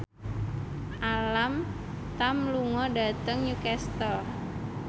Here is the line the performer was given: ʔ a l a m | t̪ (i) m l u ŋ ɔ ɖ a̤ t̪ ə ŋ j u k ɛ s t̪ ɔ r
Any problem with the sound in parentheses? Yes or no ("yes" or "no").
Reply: yes